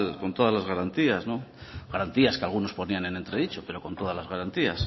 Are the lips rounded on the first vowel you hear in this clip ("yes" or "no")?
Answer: yes